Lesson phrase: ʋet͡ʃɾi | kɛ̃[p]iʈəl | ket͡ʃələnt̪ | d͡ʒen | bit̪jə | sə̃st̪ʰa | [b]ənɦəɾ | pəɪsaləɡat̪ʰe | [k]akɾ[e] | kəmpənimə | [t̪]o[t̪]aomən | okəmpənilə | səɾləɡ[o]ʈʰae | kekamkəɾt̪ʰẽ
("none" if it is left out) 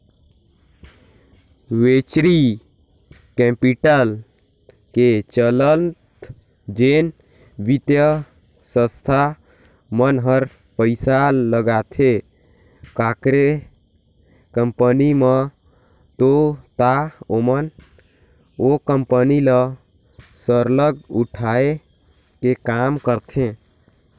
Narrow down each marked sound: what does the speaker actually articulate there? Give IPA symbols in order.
p, m, k, e, t̪, t̪, u

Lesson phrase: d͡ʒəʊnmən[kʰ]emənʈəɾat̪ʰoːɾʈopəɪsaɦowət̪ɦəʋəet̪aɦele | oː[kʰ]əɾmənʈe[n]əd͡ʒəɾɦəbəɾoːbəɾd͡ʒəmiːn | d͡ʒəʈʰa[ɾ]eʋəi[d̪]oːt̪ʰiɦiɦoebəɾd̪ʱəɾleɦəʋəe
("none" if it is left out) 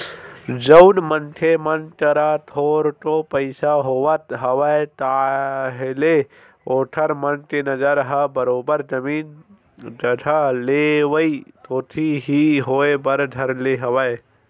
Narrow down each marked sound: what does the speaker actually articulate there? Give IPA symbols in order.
ʈʰ, ʈʰ, n, l, t̪

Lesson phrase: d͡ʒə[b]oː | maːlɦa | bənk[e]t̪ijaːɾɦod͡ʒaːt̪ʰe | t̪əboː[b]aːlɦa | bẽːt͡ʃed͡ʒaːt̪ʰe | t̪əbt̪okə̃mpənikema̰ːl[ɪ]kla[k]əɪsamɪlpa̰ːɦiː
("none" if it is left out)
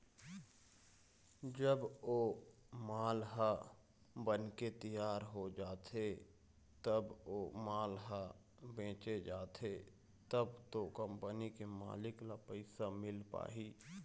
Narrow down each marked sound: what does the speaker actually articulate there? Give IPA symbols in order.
b, e, m, ɪ, p

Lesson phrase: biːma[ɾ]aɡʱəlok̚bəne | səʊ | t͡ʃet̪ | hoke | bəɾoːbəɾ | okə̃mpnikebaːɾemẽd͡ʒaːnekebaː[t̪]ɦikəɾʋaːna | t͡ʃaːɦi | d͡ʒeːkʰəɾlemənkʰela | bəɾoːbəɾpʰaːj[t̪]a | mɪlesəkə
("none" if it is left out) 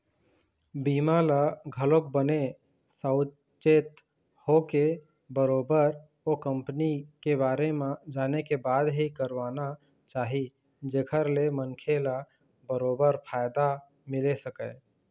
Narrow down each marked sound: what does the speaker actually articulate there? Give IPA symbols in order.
l, d̪, d̪

